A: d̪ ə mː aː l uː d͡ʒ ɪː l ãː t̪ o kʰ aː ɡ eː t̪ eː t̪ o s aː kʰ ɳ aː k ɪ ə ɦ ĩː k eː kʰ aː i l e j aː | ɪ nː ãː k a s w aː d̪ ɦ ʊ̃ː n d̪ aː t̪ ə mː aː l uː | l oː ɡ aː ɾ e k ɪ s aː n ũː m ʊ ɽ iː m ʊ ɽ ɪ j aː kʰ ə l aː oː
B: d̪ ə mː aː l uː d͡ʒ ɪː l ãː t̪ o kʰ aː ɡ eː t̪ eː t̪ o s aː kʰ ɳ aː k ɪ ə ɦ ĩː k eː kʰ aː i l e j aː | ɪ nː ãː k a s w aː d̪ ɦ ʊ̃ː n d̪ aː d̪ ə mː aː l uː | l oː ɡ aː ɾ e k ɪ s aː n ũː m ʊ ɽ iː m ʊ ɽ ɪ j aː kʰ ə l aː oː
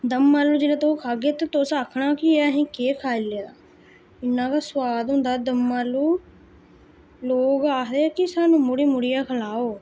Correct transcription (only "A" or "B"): B